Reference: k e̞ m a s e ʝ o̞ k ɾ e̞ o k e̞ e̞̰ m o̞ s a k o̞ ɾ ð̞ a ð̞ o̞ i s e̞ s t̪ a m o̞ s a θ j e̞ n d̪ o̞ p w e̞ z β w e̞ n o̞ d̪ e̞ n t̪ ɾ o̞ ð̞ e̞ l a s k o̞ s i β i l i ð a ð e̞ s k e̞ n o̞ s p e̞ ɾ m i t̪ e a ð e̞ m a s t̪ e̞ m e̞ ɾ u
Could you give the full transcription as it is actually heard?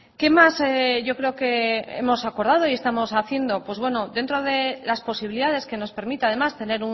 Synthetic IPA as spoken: k e̞ m a s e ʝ o̞ k ɾ e̞ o k e̞ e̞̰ m o̞ s a k o̞ ɾ ð̞ a ð̞ o̞ i e̞ s t̪ a m o̞ s a θ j e̞ n d̪ o̞ p w e̞ z β w e̞ n o̞ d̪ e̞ n t̪ ɾ o̞ ð̞ e̞ l a s p o̞ s i β i l i ð a ð e̞ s k e̞ n o̞ s p e̞ ɾ m i t̪ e a ð e̞ m a s t̪ e̞ n e̞ ɾ u